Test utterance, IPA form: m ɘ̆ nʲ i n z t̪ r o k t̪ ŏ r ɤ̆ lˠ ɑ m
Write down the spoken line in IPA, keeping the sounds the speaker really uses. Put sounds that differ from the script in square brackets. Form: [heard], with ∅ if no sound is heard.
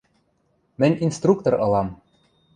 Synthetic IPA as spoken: m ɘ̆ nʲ i n [s] t̪ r [u] k t̪ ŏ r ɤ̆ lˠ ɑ m